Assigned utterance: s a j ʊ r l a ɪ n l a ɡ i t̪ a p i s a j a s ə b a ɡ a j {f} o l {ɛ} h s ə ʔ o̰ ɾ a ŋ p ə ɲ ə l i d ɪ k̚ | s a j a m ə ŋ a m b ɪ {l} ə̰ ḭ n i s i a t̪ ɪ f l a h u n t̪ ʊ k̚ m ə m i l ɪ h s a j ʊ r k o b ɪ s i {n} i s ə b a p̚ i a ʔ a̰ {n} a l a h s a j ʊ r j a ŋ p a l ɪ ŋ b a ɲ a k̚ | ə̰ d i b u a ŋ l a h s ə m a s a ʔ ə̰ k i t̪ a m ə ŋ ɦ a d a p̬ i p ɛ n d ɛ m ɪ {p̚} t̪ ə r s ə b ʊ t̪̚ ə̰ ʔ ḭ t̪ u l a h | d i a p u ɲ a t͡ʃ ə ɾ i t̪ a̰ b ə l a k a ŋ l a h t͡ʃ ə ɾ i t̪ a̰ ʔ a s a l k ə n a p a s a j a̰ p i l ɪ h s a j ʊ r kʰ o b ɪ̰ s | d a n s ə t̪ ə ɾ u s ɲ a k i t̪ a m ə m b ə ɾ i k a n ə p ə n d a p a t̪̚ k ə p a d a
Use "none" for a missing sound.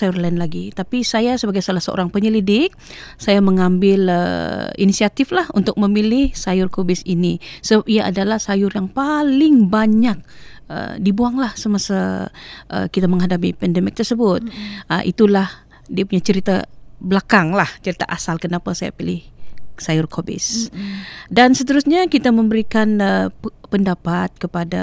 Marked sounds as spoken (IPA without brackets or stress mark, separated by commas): s, a, l, n, d, k̚